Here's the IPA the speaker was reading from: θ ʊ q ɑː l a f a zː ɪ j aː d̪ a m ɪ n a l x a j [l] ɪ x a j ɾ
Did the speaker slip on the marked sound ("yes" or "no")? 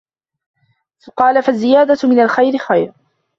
yes